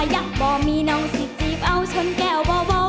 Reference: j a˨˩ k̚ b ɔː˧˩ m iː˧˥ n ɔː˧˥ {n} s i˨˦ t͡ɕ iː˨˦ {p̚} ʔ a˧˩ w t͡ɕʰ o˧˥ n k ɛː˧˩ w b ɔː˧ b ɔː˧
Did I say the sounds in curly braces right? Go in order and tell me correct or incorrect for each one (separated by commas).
incorrect, correct